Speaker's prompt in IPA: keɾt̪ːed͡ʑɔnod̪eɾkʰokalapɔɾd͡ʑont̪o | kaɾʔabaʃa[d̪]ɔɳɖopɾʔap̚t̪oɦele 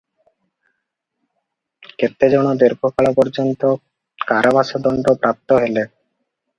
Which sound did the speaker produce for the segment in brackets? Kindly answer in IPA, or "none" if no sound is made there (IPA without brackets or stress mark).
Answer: d̪